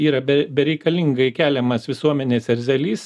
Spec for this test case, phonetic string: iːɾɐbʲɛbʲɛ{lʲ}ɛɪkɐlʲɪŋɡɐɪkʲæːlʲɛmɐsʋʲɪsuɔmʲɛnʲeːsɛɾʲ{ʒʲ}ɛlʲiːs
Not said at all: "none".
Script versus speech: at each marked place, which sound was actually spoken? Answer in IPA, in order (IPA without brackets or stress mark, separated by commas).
ɾʲ, zʲ